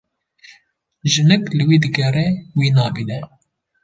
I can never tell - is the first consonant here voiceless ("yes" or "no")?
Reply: no